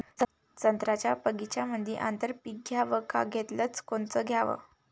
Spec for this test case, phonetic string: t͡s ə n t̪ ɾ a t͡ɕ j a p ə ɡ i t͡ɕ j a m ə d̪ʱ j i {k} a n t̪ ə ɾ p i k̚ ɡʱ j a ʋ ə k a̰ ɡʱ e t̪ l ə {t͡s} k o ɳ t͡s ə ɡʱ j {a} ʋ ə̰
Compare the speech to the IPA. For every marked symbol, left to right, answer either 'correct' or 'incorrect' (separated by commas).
incorrect, correct, correct